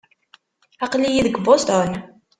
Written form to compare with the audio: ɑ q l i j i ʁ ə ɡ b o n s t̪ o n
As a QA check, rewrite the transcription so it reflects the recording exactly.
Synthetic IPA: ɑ q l i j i ð ə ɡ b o s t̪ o n